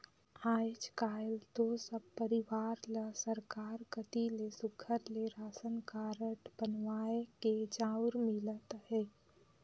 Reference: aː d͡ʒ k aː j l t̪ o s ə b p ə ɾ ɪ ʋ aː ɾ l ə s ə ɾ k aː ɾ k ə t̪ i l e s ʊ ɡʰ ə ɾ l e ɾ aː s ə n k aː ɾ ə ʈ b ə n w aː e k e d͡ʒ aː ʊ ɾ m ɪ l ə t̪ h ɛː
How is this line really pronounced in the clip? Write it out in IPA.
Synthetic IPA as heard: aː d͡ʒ k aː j l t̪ o s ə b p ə ɾ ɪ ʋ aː ɾ l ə s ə ɾ k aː ɾ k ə t̪ i l e s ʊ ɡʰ ə ɾ l e ɾ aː s ə n k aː ɾ ə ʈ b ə n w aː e k e d͡ʒ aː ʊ ɾ m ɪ l ə t̪ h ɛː